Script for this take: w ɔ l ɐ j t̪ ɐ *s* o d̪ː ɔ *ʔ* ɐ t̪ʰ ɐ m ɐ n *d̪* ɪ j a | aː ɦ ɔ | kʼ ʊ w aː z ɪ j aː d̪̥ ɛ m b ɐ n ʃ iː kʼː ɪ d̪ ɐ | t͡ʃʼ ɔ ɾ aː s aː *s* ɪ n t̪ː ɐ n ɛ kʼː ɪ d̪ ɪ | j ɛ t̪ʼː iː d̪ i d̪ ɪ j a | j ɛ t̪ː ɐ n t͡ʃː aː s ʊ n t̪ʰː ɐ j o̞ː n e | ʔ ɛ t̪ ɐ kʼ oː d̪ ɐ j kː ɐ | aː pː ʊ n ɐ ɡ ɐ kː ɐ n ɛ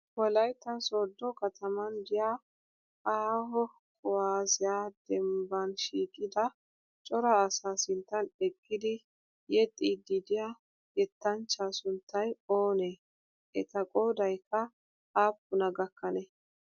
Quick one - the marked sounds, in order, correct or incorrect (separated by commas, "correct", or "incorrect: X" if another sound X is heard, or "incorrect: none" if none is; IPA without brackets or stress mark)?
correct, incorrect: k, correct, correct